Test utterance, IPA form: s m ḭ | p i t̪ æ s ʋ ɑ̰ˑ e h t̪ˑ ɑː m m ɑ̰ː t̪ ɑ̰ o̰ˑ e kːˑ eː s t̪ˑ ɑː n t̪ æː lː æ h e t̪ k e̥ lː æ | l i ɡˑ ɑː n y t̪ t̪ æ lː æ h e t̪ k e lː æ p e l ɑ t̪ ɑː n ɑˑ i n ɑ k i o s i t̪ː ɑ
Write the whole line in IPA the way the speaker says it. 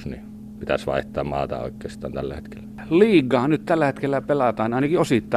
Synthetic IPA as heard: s n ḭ | p i t̪ æ s ʋ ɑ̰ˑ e h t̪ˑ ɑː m m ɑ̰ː t̪ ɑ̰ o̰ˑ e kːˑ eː s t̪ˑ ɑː n t̪ æ lː æ h e t̪ k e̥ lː æ | l iː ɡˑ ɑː n y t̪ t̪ æ lː æ h e t̪ k e lː æ p e l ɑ t̪ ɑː n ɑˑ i n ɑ k i o s i t̪ː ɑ